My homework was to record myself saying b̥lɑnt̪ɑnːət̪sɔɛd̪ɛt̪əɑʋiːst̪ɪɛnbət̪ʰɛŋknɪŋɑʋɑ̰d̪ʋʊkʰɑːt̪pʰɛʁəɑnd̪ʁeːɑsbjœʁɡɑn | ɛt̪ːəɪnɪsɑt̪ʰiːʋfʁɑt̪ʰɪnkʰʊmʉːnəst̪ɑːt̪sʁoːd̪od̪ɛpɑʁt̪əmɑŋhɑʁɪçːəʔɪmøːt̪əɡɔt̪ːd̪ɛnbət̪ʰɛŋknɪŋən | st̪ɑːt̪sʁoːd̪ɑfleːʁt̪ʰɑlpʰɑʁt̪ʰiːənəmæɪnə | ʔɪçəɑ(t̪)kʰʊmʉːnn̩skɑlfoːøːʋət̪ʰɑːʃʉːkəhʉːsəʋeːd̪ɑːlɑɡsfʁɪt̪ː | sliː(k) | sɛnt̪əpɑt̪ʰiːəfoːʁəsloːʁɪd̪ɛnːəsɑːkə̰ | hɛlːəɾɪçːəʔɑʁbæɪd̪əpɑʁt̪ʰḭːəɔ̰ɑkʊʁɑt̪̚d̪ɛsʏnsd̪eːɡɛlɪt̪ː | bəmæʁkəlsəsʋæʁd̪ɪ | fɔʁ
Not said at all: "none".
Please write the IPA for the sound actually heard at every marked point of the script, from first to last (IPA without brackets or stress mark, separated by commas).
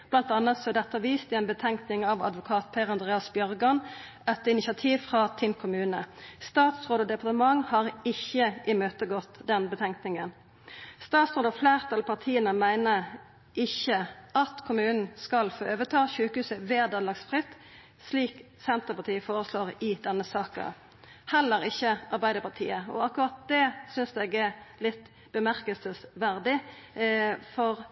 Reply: t̪, k